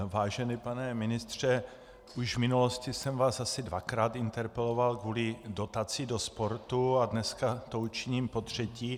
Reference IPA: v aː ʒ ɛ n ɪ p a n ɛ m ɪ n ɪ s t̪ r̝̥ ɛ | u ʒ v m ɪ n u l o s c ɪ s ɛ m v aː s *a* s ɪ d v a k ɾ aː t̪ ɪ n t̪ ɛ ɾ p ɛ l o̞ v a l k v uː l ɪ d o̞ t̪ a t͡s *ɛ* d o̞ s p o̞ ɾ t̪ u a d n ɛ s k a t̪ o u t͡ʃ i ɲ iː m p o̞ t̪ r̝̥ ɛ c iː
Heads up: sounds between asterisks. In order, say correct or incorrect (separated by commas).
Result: correct, incorrect